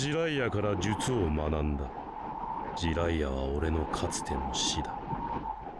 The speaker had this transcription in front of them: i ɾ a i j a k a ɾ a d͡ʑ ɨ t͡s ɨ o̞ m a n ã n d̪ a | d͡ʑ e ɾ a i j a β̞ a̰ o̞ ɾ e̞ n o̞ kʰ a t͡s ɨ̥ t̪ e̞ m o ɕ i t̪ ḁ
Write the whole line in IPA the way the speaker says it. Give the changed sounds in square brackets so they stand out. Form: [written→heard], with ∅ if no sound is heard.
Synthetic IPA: i ɾ a i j a k a ɾ a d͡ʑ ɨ t͡s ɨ o̞ m a n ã n d̪ a | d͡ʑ [e→i] ɾ a i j a β̞ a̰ o̞ ɾ e̞ n o̞ kʰ a t͡s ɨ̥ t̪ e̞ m o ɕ i [t̪→d̪] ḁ

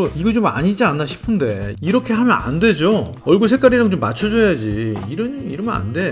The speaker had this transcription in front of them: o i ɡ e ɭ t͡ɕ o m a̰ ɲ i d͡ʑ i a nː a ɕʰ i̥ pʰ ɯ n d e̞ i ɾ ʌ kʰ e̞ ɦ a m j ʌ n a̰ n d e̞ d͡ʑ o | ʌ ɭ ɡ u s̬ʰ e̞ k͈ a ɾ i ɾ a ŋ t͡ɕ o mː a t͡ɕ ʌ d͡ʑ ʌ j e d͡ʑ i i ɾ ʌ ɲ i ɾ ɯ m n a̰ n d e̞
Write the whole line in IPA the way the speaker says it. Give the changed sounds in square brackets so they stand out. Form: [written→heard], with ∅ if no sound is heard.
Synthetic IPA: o i ɡ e [ɭ→∅] t͡ɕ o m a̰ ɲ i d͡ʑ i a nː a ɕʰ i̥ pʰ ɯ n d e̞ i ɾ ʌ kʰ e̞ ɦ a m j ʌ n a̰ n d e̞ d͡ʑ o | ʌ ɭ ɡ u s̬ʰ e̞ k͈ a ɾ i ɾ a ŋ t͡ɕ o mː a [t͡ɕ→t͡ɕʰ] ʌ d͡ʑ ʌ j [e→a] d͡ʑ i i ɾ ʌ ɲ i ɾ ɯ m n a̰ n d e̞

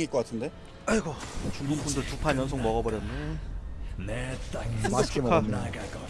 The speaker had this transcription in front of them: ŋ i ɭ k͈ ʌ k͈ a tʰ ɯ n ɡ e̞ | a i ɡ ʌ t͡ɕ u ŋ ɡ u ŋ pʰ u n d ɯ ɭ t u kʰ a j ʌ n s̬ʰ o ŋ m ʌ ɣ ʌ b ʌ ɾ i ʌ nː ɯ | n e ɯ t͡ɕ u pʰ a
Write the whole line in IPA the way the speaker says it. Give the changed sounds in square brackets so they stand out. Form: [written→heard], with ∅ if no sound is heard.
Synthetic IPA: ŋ i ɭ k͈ ʌ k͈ a tʰ ɯ n [ɡ→d] e̞ | a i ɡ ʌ t͡ɕ u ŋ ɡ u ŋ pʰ u n d ɯ ɭ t u [kʰ→pʰ] a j ʌ n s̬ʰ o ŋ m ʌ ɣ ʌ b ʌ ɾ [i→j] ʌ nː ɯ | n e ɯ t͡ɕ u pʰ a

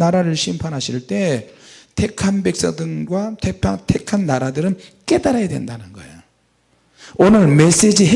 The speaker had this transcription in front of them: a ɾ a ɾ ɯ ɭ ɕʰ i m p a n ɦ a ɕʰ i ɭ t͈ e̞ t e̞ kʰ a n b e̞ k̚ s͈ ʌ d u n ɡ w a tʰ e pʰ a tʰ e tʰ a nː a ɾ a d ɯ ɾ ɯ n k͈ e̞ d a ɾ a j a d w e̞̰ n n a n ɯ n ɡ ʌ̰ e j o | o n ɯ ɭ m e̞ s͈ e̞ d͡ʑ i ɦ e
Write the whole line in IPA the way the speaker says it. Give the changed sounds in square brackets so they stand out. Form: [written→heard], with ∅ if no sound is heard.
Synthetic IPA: a ɾ a ɾ ɯ ɭ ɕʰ i m [p→pʰ] a n ɦ a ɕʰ i ɭ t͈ e̞ [t→tʰ] e̞ kʰ a n b e̞ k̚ s͈ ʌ d [u→ɯ] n ɡ w a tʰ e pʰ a tʰ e [tʰ→kʰ] a nː a ɾ a d ɯ ɾ ɯ n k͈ e̞ d a ɾ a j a d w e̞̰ n [n→d] a n ɯ n ɡ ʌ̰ e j o | o n ɯ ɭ m e̞ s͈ e̞ d͡ʑ i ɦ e

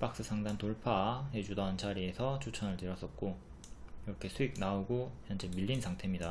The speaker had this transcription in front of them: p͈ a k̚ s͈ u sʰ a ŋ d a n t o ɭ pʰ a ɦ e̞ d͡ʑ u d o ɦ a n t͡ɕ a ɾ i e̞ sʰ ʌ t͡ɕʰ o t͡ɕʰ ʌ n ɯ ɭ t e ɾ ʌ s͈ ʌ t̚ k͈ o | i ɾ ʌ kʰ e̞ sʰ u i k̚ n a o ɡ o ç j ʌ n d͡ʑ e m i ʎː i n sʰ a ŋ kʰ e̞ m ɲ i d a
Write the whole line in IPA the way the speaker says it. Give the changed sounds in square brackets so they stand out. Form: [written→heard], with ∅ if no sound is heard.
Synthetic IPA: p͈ a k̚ s͈ [u→ɯ] sʰ a ŋ d a n t o ɭ pʰ a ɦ e̞ d͡ʑ u d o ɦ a n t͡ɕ a ɾ i e̞ sʰ ʌ t͡ɕʰ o t͡ɕʰ ʌ n ɯ ɭ t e ɾ ʌ s͈ ʌ t̚ k͈ o | i ɾ ʌ kʰ e̞ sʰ u i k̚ n a o ɡ o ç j ʌ n d͡ʑ e m i ʎː i n sʰ a ŋ [kʰ→tʰ] e̞ m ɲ i d a

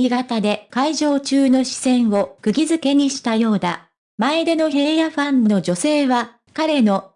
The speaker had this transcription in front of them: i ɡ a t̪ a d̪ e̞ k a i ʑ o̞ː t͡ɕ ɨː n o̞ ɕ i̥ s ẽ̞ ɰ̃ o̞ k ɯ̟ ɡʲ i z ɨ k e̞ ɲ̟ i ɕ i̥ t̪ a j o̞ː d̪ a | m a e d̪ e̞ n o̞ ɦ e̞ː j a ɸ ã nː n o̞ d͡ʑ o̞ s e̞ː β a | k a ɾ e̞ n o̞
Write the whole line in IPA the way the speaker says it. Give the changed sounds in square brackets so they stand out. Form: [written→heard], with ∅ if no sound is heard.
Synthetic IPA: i ɡ a t̪ a d̪ e̞ k a i ʑ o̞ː t͡ɕ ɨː n o̞ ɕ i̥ s ẽ̞ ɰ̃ o̞ k ɯ̟ ɡʲ i z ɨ k e̞ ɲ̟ i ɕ i̥ t̪ a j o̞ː d̪ a | m a e d̪ e̞ n o̞ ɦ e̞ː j a ɸ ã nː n o̞ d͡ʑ o̞ s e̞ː β a | k a ɾ e̞ n o̞

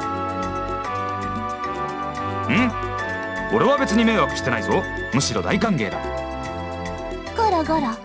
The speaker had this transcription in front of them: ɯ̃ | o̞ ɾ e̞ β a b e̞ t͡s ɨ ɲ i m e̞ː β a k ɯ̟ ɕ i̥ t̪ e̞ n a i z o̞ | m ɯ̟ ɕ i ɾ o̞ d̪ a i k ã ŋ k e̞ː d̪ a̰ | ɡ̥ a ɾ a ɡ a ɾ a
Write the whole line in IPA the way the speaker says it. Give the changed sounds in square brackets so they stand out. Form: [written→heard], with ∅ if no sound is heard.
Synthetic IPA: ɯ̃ | o̞ ɾ e̞ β a b e̞ t͡s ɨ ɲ i m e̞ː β a k ɯ̟ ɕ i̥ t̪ e̞ n a i z o̞ | m ɯ̟ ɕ i ɾ o̞ d̪ a i k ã ŋ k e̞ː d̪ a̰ | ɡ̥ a ɾ a ɡ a ɾ a

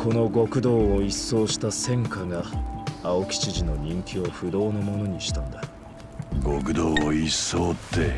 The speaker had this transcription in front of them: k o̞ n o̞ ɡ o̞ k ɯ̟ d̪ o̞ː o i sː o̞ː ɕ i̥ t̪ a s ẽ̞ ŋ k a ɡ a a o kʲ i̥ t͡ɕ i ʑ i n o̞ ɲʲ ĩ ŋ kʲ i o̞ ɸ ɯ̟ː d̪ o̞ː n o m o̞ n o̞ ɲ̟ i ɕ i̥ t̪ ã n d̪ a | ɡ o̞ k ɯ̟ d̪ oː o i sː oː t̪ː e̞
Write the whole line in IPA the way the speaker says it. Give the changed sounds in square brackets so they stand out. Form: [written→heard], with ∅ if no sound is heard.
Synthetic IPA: k o̞ n o̞ ɡ o̞ k ɯ̟ d̪ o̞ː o i sː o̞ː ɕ i̥ t̪ a s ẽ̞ ŋ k a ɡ a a o kʲ i̥ t͡ɕ i ʑ i n o̞ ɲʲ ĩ ŋ kʲ i o̞ ɸ [ɯ̟ː→ɯ̟] d̪ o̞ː n o m o̞ n o̞ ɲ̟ i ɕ i̥ t̪ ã n d̪ a | ɡ o̞ k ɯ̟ d̪ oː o i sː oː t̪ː e̞

